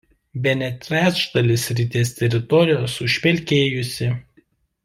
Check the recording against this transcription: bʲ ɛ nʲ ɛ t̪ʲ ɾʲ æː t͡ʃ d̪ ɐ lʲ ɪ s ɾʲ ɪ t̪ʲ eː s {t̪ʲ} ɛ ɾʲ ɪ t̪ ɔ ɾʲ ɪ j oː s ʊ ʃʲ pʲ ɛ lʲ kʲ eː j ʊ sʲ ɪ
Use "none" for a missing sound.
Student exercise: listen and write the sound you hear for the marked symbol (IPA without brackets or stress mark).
t̪ʲ